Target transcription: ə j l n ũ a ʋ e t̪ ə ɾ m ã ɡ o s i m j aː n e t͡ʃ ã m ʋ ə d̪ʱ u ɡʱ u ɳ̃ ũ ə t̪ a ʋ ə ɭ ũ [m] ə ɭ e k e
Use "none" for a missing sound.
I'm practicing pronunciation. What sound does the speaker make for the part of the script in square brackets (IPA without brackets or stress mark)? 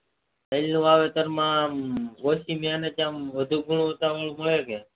m